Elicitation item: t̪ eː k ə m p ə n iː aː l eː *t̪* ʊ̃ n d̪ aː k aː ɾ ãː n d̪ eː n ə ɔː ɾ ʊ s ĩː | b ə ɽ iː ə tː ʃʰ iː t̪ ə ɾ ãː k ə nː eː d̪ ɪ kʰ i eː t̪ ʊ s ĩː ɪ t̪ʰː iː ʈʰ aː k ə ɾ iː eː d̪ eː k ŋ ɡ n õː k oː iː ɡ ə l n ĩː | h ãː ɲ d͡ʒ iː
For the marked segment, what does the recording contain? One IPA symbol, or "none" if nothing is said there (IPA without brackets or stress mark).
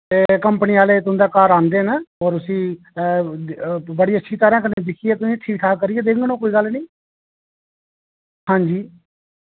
t̪